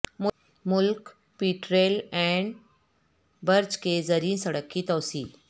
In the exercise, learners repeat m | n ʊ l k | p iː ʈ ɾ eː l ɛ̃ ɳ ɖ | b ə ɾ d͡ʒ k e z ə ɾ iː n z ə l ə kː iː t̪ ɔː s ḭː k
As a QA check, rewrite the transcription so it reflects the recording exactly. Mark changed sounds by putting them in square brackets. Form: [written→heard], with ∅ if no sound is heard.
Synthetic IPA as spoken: m | [n→m] ʊ l k | p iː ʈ ɾ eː l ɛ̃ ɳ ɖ | b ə ɾ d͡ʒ k e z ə ɾ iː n [z→s] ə [l→ɽ] ə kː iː t̪ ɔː s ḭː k